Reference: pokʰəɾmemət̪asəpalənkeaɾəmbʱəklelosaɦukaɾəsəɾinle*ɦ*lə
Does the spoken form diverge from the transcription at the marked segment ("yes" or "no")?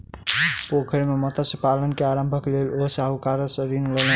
yes